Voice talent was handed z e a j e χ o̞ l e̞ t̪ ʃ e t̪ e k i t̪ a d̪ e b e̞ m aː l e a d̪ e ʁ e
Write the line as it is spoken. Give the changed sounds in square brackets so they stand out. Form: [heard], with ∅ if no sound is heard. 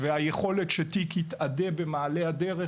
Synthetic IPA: [v] e a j e χ o̞ l e̞ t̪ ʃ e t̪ [i] k i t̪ a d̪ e b e̞ m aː l e a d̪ e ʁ e